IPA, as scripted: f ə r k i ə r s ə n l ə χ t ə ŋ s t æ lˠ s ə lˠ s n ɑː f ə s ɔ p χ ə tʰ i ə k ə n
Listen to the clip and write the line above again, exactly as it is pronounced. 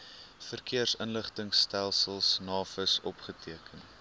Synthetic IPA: f ə r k i ə r s ə n l ə χ t ə ŋ s t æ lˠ s ə lˠ s n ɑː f ə s ɔ p χ ə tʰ i ə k ə n